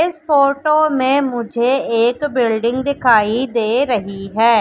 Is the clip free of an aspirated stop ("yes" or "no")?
no